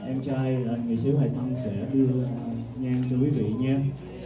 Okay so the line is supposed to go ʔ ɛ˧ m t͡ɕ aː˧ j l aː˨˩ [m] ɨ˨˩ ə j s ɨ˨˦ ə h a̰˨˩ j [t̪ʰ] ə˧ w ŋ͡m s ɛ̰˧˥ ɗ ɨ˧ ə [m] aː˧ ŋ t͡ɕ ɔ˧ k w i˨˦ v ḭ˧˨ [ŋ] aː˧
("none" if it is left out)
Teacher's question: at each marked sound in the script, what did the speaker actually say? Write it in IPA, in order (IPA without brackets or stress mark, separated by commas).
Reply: ŋ, t̪ʰ, ɲ, ɲ